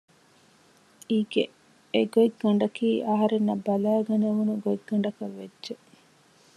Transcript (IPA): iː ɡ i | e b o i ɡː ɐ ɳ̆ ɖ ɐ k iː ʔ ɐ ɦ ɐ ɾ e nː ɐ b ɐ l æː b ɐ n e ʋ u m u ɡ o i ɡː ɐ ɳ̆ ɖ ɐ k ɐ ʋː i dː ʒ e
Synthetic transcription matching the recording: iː ɡ e | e ɡ o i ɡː ɐ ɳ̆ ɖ ɐ k iː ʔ ɐ ɦ ɐ ɾ e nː ɐ b ɐ l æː ɡ ɐ n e ʋ u n u ɡ o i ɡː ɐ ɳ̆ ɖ ɐ k ɐ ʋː e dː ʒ e